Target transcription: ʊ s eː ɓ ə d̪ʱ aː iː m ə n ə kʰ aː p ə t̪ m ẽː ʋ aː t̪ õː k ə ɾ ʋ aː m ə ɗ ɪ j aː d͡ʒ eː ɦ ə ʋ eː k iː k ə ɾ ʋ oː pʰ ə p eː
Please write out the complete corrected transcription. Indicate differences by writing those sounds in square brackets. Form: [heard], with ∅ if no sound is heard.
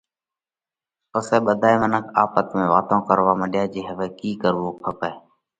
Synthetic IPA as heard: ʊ s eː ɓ ə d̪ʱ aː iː m ə n ə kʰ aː p ə t̪ m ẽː ʋ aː t̪ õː k ə ɾ ʋ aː m ə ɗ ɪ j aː d͡ʒ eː ɦ ə ʋ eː k iː k ə ɾ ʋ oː pʰ ə p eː